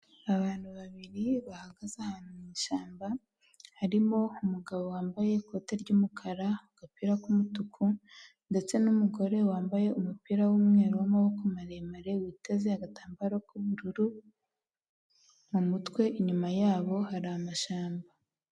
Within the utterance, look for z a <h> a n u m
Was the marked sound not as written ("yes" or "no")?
no